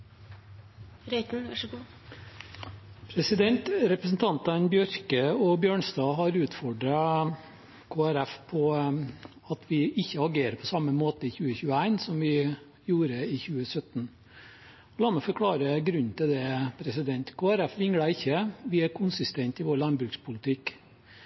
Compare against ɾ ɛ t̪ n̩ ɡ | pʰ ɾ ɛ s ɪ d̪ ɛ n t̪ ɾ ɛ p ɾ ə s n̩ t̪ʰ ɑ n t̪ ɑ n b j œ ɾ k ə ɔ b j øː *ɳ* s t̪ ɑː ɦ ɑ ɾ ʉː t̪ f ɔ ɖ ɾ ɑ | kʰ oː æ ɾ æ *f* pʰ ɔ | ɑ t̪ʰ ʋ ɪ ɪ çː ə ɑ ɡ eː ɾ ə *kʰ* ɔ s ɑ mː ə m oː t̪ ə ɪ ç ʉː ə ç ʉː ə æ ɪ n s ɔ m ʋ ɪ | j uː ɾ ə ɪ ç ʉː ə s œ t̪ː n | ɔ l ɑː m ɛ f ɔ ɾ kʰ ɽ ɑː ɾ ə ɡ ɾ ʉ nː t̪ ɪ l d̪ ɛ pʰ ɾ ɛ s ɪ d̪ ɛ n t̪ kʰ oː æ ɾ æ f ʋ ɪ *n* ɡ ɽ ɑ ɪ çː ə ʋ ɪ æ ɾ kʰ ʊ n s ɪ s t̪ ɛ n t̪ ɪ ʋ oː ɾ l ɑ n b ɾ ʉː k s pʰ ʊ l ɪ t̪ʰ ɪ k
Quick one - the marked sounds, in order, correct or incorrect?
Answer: correct, correct, incorrect, incorrect

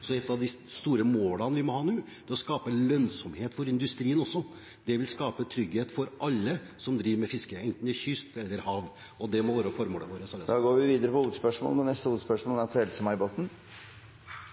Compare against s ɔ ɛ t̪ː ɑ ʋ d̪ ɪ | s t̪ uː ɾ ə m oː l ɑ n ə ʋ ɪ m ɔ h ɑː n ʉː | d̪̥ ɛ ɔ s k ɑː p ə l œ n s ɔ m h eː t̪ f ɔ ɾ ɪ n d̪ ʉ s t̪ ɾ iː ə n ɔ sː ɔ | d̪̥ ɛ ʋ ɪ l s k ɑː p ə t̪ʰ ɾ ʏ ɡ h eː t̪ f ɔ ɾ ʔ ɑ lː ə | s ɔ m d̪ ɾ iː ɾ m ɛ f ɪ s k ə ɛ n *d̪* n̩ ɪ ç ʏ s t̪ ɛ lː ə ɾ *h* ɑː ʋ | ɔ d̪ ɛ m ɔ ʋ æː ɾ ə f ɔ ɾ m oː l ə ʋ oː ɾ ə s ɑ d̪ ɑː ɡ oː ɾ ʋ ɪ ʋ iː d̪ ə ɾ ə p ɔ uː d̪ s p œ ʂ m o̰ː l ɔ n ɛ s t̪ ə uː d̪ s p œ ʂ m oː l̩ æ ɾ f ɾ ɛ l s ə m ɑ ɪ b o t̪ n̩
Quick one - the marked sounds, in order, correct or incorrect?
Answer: incorrect, correct

